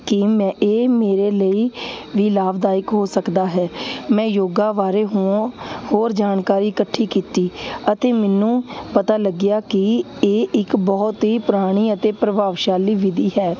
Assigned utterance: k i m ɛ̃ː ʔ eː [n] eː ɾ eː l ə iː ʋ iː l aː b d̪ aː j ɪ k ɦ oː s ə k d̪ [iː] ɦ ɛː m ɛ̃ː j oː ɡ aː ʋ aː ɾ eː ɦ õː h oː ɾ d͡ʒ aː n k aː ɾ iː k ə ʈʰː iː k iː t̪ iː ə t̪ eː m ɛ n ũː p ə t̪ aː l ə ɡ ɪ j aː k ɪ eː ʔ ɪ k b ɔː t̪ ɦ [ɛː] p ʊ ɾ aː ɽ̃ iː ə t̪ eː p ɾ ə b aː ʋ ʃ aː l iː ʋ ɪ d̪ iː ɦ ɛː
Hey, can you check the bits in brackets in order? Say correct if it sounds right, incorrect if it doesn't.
incorrect: m, incorrect: aː, incorrect: iː

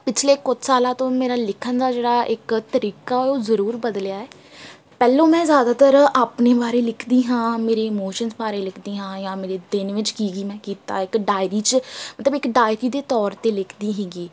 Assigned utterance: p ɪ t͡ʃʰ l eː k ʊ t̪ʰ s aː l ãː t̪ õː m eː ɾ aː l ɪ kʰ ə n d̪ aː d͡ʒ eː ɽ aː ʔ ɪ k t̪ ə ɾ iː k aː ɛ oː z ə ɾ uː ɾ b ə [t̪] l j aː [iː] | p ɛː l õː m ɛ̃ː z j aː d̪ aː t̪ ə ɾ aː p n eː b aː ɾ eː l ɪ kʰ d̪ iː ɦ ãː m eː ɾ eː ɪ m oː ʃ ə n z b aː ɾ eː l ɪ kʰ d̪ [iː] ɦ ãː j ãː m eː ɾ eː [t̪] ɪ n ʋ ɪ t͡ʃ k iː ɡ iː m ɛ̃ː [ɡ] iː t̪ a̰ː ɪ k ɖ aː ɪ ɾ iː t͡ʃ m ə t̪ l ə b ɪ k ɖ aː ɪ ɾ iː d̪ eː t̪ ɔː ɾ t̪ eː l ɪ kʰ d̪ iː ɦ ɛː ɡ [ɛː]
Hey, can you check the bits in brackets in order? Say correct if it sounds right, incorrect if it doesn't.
incorrect: d̪, incorrect: ɛː, correct, incorrect: d̪, incorrect: k, incorrect: iː

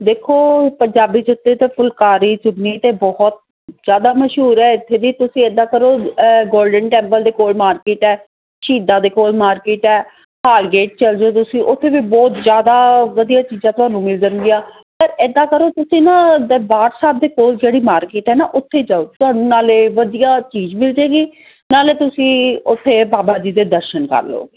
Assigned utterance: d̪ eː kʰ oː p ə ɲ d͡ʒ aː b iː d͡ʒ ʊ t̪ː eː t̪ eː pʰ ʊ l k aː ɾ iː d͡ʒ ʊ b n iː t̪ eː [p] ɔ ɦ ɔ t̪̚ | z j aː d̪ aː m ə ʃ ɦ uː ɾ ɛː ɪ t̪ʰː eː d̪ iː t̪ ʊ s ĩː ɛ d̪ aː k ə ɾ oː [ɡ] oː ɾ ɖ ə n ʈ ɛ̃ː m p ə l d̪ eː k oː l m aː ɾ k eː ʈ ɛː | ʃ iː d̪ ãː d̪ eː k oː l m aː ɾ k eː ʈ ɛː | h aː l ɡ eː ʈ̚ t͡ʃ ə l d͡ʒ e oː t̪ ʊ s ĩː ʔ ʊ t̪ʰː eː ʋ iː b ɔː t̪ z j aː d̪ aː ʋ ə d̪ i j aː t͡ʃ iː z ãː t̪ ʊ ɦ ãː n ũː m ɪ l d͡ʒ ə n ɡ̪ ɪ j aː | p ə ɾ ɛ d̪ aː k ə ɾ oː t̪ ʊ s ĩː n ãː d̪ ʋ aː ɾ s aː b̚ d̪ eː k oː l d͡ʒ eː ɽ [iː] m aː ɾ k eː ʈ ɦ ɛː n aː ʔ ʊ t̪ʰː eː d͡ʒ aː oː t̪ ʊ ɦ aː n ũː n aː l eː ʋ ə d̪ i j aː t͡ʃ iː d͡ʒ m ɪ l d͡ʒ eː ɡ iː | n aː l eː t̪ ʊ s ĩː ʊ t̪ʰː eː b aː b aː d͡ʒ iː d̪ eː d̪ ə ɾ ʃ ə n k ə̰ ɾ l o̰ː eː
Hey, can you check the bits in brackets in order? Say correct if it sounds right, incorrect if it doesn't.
incorrect: b, correct, correct

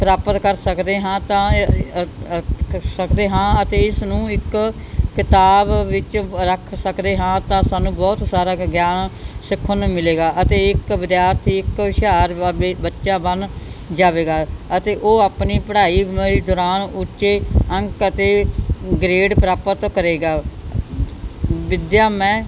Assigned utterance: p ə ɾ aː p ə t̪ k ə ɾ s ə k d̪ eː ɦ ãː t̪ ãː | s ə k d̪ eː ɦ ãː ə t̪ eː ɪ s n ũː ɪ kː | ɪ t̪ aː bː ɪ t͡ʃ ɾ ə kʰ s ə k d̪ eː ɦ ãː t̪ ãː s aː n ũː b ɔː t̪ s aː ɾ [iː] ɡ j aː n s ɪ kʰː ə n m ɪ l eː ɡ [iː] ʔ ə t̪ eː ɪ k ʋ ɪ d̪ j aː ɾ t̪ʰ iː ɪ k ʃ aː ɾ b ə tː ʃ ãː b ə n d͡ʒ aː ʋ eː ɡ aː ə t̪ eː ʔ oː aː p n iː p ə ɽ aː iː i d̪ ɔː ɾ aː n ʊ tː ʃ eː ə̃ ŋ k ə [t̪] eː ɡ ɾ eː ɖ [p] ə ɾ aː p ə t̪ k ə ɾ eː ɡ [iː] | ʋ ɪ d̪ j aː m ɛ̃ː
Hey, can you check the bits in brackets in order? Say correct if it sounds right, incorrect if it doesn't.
incorrect: aː, incorrect: aː, correct, correct, incorrect: aː

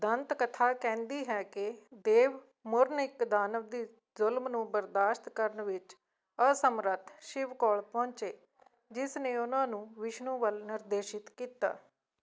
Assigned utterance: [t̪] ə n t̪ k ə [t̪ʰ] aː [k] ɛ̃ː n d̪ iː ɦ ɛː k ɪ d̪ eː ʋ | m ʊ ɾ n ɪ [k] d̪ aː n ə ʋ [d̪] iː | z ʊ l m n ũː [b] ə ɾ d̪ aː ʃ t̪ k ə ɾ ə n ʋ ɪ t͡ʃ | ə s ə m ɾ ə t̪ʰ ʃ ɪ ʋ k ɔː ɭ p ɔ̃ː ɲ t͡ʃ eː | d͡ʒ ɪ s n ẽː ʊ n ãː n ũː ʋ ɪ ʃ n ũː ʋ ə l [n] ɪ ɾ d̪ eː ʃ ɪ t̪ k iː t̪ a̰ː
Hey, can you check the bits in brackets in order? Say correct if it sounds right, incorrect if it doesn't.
incorrect: d̪, correct, correct, correct, correct, correct, correct

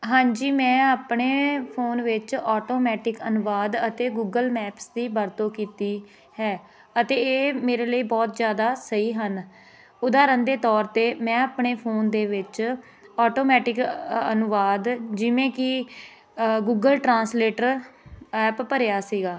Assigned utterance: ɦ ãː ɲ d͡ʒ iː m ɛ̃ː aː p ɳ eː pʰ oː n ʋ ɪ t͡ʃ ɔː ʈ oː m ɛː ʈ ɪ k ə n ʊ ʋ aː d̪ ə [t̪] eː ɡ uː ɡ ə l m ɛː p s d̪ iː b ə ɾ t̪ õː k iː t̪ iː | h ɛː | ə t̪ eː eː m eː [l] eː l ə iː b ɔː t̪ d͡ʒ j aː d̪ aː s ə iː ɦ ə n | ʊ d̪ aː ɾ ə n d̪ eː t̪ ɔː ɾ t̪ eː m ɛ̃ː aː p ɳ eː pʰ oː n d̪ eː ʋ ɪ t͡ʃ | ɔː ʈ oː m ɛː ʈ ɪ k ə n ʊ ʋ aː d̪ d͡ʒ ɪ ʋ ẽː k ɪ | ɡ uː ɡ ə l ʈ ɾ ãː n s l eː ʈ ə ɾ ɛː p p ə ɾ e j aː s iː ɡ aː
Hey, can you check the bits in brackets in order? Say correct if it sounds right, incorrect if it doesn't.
correct, incorrect: ɾ

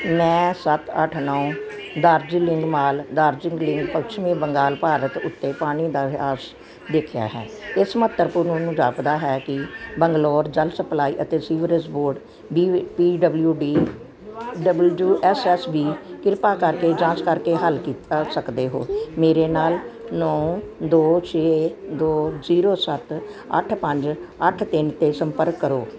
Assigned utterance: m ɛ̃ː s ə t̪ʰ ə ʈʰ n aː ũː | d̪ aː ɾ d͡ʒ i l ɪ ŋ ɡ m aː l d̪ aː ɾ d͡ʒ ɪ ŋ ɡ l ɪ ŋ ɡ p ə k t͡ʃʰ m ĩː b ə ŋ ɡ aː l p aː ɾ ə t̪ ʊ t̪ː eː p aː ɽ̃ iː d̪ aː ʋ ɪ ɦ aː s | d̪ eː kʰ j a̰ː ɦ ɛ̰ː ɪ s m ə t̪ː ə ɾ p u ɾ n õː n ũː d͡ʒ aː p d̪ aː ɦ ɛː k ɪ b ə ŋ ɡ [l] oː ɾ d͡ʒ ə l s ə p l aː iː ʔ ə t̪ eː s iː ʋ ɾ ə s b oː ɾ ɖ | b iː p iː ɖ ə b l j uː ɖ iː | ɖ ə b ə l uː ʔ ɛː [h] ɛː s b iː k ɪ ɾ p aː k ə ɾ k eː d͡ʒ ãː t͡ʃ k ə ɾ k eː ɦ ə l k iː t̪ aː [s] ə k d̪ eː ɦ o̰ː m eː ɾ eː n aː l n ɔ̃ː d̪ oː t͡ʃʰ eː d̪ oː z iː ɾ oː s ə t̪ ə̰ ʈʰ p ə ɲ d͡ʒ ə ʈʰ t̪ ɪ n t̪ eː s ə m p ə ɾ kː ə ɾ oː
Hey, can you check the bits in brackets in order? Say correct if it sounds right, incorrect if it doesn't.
correct, incorrect: s, correct

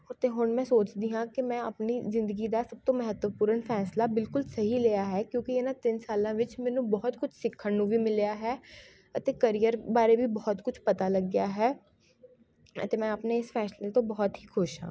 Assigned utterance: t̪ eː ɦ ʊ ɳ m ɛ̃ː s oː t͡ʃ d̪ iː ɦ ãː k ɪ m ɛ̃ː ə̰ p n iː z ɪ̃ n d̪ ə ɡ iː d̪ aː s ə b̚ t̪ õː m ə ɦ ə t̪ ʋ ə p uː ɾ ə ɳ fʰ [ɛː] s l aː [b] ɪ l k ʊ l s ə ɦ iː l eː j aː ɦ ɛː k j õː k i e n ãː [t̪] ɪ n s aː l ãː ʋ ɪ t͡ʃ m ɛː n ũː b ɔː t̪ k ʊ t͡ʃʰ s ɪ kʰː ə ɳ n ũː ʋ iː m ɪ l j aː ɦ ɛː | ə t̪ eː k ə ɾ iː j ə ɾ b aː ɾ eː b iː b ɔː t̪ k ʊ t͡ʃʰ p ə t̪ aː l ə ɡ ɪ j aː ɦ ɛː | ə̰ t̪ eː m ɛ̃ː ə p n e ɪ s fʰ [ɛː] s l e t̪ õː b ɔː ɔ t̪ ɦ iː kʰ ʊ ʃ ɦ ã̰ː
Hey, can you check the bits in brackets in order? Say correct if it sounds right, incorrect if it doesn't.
correct, correct, correct, correct

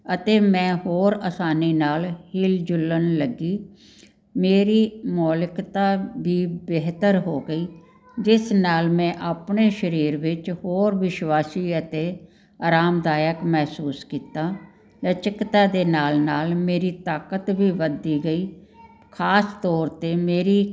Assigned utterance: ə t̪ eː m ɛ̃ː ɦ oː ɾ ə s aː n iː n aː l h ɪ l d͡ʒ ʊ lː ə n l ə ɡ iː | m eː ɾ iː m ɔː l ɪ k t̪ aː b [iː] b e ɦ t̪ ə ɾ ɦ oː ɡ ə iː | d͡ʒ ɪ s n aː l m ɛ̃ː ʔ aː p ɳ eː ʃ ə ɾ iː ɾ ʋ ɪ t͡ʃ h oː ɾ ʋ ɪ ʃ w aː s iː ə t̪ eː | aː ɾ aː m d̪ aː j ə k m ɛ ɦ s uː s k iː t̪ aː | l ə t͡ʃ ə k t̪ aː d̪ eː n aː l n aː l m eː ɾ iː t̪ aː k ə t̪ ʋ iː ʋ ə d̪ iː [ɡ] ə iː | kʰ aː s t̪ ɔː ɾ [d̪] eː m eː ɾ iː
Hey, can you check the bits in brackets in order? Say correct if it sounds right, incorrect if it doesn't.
correct, correct, incorrect: t̪

